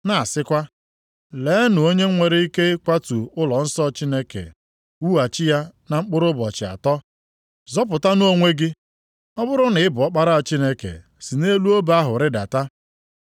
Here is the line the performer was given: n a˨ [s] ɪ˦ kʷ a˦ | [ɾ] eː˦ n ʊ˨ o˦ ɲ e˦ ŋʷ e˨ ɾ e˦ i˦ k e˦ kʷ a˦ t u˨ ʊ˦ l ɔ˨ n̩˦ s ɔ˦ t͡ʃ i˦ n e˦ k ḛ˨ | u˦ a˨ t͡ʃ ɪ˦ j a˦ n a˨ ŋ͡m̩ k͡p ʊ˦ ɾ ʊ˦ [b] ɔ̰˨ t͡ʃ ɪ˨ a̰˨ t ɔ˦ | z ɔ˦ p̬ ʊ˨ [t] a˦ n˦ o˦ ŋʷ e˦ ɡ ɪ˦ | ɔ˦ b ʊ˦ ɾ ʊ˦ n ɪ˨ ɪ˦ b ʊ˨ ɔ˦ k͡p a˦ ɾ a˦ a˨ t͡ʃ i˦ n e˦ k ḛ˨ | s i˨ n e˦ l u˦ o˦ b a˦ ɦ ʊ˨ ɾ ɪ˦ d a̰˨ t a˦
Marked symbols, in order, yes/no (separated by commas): yes, no, yes, yes